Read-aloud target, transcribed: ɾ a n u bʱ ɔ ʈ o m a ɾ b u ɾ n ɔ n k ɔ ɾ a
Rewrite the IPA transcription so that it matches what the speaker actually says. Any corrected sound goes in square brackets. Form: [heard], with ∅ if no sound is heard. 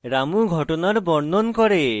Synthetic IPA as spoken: ɾ a [m] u [ɡʱ] ɔ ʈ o [n] a ɾ b [ɔ] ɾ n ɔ n k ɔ ɾ [e]